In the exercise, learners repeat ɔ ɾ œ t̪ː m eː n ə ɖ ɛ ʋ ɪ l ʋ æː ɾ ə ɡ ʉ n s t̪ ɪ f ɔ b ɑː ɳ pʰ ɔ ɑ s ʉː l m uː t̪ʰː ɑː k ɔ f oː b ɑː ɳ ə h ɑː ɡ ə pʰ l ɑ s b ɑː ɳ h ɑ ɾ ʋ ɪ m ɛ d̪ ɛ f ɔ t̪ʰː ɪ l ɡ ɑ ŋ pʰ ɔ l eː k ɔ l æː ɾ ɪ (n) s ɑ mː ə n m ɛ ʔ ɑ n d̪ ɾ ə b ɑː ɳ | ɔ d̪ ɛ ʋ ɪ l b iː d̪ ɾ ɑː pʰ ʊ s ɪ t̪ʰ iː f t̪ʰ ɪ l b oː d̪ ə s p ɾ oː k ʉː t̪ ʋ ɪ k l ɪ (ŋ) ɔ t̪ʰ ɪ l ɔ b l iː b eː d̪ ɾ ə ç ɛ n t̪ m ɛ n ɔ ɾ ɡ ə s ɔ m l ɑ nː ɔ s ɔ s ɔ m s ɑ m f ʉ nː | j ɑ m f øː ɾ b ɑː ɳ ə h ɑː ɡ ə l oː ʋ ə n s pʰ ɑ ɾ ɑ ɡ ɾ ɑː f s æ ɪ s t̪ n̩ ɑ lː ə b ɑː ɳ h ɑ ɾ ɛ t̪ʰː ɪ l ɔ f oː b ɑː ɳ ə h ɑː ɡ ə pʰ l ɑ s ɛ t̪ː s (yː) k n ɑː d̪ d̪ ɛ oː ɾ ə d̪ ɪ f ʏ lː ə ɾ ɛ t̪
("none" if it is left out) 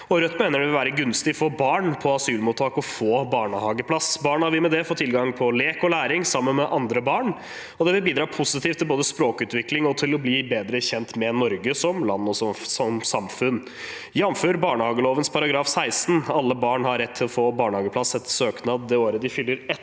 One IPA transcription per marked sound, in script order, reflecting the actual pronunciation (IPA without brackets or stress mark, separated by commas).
ŋ, ŋ, øː